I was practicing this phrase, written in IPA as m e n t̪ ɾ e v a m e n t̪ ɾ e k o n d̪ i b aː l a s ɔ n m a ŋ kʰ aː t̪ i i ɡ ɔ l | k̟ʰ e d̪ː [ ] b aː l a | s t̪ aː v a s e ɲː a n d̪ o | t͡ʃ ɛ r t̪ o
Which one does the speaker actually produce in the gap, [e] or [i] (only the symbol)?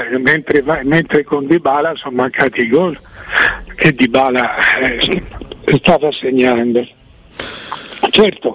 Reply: i